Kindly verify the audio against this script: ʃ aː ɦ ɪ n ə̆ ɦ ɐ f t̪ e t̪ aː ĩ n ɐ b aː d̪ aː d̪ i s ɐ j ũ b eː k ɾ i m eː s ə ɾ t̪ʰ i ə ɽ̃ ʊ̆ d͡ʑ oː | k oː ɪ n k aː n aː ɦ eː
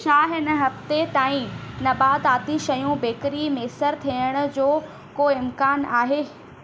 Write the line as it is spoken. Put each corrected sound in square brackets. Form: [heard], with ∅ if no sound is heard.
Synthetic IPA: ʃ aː ɦ ɪ n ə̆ ɦ ɐ f t̪ e t̪ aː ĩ n ɐ b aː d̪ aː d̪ i [ʃ] ɐ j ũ b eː k ɾ i m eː s ə ɾ t̪ʰ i ə ɽ̃ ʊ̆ d͡ʑ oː | k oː ɪ [m] k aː n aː ɦ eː

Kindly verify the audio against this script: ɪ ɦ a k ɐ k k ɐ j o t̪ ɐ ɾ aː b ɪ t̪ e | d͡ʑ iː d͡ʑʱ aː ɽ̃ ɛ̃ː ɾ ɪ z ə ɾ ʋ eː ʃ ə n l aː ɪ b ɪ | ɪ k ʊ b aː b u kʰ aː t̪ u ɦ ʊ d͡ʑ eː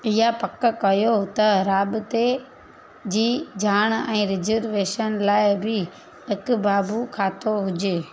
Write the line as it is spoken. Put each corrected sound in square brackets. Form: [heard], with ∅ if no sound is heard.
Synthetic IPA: ɪ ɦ a [p] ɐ k k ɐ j o t̪ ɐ ɾ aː b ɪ t̪ e | d͡ʑ iː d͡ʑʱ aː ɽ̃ ɛ̃ː ɾ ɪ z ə ɾ ʋ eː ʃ ə n l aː ɪ b ɪ | ɪ k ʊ b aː b u kʰ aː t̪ [o] ɦ ʊ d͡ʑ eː

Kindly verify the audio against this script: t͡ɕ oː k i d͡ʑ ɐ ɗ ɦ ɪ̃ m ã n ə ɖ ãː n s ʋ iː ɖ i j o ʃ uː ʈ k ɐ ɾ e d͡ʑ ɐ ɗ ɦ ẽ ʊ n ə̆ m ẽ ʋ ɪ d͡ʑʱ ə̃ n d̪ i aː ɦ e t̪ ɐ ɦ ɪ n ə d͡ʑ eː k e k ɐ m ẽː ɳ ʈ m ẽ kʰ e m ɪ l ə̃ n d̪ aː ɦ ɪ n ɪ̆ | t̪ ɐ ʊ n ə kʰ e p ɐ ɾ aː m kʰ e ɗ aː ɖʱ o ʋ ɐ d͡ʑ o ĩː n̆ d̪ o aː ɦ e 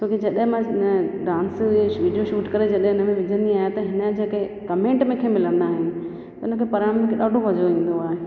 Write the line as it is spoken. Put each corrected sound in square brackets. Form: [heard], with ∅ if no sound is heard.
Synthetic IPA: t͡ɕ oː k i d͡ʑ ɐ ɗ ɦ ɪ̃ m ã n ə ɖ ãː n s ʋ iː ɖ i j o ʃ uː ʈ k ɐ ɾ e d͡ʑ ɐ ɗ ɦ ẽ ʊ n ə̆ m ẽ ʋ ɪ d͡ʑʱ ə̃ n d̪ i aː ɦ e t̪ ɐ ɦ ɪ n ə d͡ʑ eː k e k ɐ m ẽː ɳ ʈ m ẽ kʰ e m ɪ l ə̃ n d̪ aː ɦ ɪ n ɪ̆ | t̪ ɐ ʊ n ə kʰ e p ɐ ɾ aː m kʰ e ɗ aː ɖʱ o ʋ ɐ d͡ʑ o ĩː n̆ d̪ o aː ɦ e

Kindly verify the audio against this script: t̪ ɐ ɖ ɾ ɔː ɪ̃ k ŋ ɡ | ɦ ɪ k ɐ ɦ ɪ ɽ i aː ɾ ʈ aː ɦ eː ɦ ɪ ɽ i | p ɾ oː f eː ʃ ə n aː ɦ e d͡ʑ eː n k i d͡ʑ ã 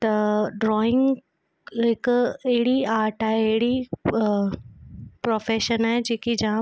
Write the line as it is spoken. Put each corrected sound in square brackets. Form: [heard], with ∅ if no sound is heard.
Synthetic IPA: t̪ ɐ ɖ ɾ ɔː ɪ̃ [∅] ŋ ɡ | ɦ ɪ k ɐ ɦ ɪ ɽ i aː ɾ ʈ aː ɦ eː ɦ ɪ ɽ i | p ɾ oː f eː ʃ ə n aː ɦ e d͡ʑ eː [∅] k i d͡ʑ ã

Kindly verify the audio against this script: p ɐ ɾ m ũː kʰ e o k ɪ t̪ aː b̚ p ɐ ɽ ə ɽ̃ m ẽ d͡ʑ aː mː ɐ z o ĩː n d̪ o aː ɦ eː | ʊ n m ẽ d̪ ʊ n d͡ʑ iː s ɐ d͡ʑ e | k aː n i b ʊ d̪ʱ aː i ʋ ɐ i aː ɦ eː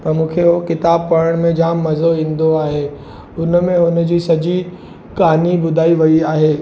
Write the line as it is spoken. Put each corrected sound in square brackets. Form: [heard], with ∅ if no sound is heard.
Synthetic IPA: p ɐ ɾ m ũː kʰ e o k ɪ t̪ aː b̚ p ɐ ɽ ə ɽ̃ m ẽ d͡ʑ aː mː ɐ z o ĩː n d̪ o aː ɦ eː | ʊ n m ẽ [∅] ʊ n d͡ʑ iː s ɐ d͡ʑ [i] | k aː n i b ʊ d̪ʱ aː i ʋ ɐ i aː ɦ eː

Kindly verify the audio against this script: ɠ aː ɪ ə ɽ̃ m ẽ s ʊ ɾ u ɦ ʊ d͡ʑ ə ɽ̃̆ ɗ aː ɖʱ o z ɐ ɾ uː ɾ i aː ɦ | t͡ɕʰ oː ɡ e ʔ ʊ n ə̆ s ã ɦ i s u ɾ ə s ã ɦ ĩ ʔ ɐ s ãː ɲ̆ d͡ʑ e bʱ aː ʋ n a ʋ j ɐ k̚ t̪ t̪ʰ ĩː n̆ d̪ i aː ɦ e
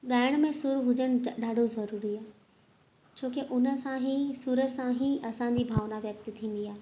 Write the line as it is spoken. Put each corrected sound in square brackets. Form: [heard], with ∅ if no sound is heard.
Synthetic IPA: ɠ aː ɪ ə ɽ̃ m ẽ s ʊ ɾ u ɦ ʊ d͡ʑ ə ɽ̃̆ ɗ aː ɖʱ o z ɐ ɾ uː ɾ i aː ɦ | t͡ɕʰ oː [k] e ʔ ʊ n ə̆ s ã ɦ i s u ɾ ə s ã ɦ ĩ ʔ ɐ s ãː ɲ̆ d͡ʑ [i] bʱ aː ʋ n a ʋ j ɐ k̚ t̪ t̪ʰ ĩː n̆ d̪ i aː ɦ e

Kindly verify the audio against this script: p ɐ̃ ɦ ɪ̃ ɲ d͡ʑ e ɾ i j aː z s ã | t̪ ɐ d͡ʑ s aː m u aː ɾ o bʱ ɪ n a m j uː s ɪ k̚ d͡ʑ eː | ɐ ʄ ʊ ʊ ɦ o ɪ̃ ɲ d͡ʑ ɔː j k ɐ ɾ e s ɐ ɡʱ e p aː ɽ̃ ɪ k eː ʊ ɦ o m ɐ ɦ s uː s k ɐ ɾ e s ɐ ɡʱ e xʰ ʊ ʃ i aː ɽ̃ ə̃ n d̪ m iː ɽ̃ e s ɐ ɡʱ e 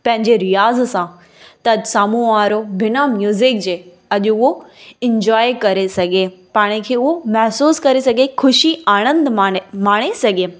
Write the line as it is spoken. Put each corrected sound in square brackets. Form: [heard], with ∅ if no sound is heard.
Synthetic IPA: p ɐ̃ ɦ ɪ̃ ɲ d͡ʑ e ɾ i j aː z s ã | t̪ ɐ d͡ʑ s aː m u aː ɾ o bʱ ɪ n a m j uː [z] ɪ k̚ d͡ʑ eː | ɐ ʄ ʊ ʊ ɦ o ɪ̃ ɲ d͡ʑ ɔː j k ɐ ɾ e s ɐ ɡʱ e p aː ɽ̃ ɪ [kʰ] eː ʊ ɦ o m ɐ ɦ s uː s k ɐ ɾ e s ɐ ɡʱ e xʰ ʊ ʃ i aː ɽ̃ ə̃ n d̪ m [aː] ɽ̃ e s ɐ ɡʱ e

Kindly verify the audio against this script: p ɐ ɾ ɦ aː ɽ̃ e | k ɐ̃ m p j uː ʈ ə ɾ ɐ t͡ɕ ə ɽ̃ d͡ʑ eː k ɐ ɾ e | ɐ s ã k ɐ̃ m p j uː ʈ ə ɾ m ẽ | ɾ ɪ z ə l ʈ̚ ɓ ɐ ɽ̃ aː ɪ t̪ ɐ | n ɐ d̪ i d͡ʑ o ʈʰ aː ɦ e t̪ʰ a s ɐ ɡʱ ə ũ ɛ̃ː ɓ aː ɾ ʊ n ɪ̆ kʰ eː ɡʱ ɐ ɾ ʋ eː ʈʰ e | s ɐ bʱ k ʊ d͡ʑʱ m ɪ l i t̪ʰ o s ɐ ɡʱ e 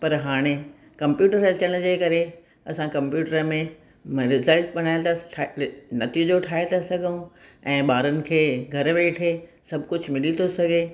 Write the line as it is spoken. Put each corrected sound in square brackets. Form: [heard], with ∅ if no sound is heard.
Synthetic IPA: p ɐ ɾ ɦ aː ɽ̃ e | k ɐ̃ m p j uː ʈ ə ɾ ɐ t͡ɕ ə ɽ̃ d͡ʑ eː k ɐ ɾ e | ɐ s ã k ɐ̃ m p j uː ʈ ə ɾ m ẽ | ɾ ɪ z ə l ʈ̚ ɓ ɐ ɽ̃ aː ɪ t̪ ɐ | n ɐ [t̪] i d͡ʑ o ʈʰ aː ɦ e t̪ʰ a s ɐ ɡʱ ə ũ ɛ̃ː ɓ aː ɾ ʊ n ɪ̆ kʰ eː ɡʱ ɐ ɾ ʋ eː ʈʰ e | s ɐ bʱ k ʊ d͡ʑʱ m ɪ l i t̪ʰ o s ɐ ɡʱ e

